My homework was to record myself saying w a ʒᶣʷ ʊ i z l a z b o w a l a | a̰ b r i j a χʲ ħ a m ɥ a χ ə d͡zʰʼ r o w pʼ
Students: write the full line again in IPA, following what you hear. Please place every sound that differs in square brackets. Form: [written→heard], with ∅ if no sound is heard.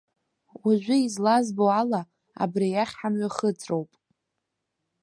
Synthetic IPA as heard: w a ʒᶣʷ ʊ i z l a z b o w a l a | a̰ b r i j a χʲ ħ a m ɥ a χ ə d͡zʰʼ r o w pʼ